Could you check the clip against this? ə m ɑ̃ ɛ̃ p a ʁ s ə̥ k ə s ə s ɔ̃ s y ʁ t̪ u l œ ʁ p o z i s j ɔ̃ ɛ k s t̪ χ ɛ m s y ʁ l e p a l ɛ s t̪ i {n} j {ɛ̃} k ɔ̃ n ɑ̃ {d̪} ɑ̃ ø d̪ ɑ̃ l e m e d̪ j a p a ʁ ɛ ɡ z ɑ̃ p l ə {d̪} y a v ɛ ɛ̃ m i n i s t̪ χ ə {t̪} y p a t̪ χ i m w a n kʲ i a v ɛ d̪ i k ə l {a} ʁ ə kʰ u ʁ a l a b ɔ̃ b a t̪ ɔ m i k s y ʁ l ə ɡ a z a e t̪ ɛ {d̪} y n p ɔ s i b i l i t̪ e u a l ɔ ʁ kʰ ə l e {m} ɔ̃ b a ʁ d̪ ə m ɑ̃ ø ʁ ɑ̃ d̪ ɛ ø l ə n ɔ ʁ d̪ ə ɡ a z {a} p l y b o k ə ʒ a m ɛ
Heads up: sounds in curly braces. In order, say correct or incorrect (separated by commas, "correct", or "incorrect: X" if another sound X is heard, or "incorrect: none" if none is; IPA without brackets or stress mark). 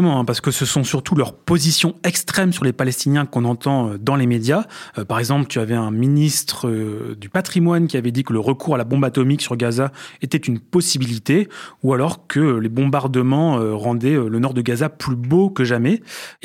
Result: correct, correct, incorrect: t̪, incorrect: t̪, incorrect: d̪, incorrect: ə, incorrect: t̪, incorrect: b, correct